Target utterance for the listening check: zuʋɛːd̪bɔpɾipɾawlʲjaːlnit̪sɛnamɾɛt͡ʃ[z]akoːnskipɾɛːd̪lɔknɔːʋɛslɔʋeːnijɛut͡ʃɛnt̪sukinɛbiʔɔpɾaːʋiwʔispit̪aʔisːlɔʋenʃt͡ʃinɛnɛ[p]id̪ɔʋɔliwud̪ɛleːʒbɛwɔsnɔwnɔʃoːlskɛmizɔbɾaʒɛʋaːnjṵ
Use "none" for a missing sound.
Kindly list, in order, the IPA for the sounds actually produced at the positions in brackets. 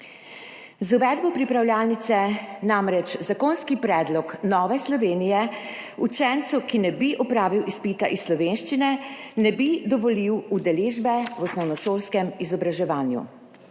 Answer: z, b

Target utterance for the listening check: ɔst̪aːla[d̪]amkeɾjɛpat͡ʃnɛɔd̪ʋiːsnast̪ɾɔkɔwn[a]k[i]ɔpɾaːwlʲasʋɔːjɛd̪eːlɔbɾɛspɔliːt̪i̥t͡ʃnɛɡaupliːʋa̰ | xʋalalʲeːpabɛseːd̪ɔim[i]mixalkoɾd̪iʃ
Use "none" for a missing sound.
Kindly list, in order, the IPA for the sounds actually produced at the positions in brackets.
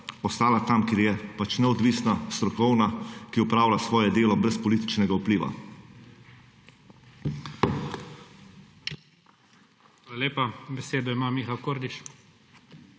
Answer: t̪, a, i, a

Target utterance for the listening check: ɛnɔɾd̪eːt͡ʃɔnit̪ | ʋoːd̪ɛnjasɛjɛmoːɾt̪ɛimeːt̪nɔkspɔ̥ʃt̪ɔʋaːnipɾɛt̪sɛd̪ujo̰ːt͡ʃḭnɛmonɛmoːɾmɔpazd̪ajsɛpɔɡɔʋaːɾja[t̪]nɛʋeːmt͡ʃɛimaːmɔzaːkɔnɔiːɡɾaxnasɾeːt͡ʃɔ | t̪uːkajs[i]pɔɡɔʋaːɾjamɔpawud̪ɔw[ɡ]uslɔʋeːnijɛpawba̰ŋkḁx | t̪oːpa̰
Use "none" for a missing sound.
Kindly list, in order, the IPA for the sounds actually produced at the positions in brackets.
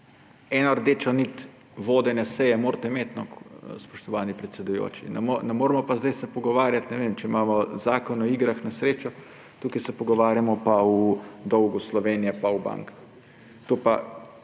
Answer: t̪, ɛ, ɡ

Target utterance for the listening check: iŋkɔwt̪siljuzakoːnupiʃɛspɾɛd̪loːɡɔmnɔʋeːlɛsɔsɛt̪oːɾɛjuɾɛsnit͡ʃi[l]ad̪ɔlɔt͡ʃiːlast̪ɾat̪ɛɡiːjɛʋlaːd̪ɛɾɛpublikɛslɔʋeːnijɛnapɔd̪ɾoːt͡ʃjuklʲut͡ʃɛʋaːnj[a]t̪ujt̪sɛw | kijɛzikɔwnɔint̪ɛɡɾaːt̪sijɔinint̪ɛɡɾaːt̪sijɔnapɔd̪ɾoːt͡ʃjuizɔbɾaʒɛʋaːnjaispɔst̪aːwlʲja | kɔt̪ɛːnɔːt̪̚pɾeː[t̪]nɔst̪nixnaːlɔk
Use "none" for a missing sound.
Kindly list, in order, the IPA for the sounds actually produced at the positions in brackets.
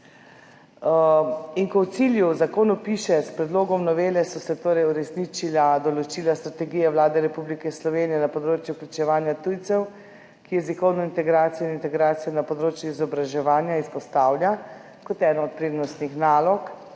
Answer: l, a, d̪

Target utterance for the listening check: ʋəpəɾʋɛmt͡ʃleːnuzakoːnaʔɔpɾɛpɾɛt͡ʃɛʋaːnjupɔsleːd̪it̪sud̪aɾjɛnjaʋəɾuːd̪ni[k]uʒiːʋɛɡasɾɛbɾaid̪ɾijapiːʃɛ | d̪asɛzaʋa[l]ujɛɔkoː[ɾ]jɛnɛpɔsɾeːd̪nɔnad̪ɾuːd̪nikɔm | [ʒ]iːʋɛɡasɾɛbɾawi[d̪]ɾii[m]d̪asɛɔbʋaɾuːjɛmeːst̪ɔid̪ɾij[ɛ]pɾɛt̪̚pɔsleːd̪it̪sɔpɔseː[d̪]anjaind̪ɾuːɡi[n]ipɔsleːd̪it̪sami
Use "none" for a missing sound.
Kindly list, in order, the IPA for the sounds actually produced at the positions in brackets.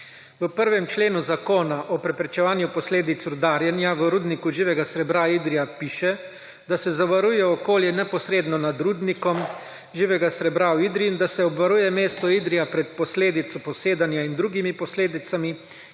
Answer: k, ɾ, l, ʒ, d̪, n, a, d̪, m

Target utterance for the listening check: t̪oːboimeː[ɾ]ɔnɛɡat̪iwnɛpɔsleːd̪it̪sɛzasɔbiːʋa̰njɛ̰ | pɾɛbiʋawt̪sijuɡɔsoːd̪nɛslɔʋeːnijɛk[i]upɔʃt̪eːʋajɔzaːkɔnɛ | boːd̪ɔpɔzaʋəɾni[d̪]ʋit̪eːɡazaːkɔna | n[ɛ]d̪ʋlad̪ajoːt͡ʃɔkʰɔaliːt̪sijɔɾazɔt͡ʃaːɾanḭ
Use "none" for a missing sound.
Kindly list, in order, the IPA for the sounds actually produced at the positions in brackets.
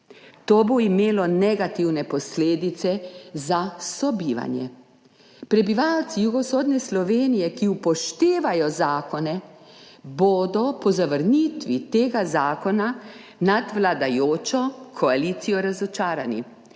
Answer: l, i, t̪, a

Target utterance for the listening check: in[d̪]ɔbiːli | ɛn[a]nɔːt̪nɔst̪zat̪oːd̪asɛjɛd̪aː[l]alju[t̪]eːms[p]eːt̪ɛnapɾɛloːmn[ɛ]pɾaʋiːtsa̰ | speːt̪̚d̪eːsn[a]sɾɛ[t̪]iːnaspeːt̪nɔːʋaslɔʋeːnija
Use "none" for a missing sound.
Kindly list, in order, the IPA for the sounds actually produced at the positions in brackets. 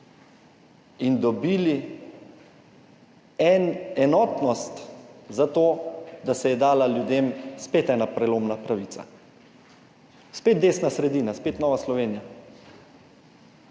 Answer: d̪, ɛ, l, d̪, p, a, a, d̪

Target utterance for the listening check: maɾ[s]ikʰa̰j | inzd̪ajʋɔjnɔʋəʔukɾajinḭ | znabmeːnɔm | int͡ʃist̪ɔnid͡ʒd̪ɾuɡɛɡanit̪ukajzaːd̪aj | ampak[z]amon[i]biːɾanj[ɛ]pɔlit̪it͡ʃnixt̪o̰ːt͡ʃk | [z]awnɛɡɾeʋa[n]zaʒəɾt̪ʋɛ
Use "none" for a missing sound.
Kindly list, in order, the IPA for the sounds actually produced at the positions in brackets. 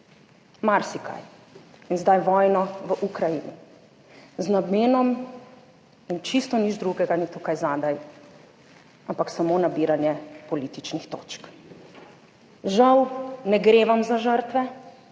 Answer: s, s, a, ɛ, ʒ, m

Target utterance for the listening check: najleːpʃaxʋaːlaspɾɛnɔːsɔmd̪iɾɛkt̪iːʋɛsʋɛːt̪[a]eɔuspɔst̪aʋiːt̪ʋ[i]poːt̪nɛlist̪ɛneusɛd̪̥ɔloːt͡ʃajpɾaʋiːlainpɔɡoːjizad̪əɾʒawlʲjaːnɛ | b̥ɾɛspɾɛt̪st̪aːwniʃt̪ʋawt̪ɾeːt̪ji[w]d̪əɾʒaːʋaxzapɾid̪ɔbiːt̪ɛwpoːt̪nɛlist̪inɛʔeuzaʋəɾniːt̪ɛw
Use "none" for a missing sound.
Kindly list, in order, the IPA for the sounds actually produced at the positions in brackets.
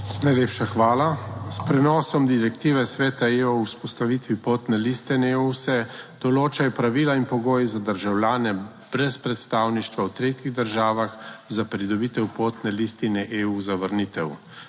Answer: a, i, ɣ

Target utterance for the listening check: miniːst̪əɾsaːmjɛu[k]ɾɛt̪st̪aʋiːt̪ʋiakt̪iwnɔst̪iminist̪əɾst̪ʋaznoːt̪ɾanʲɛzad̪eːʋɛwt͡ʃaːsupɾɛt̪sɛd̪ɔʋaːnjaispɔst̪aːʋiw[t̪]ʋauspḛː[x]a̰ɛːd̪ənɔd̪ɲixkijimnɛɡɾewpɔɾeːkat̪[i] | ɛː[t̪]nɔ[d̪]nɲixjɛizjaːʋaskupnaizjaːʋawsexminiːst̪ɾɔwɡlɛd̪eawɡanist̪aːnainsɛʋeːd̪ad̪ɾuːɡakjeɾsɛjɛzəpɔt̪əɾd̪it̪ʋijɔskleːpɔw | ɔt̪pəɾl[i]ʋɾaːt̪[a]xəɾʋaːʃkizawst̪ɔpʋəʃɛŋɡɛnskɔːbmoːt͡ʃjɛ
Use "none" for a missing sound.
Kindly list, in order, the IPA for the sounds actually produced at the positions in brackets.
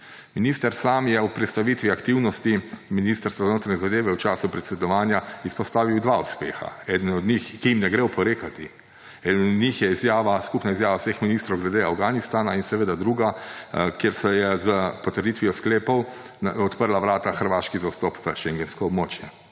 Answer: p, d̪, x, i, d̪, d̪, a, a

